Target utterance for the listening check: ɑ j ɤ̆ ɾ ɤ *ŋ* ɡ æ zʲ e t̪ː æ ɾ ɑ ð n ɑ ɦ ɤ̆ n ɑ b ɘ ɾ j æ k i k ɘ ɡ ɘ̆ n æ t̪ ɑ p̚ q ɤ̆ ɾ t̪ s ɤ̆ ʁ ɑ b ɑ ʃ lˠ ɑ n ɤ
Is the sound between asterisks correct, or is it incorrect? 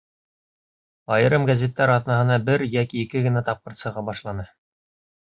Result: incorrect